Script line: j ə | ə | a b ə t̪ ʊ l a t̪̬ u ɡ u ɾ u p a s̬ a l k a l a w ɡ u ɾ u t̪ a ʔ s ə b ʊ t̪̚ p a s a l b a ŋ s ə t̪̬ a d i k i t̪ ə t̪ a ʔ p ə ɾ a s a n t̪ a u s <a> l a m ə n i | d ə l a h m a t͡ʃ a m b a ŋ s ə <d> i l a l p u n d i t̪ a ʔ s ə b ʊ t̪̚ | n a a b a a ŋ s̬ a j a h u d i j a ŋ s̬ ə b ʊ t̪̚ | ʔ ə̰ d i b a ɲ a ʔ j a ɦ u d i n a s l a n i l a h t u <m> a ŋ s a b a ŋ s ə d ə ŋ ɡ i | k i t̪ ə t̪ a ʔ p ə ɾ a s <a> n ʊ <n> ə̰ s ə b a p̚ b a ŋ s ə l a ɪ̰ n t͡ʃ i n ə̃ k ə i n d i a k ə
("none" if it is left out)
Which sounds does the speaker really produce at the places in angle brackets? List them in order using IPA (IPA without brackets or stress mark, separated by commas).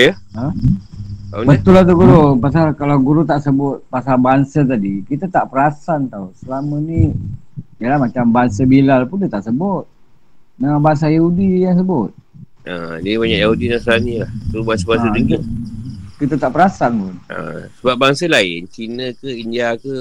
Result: ə, b, b, a, n